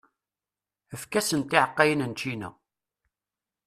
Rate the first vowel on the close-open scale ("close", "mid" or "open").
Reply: mid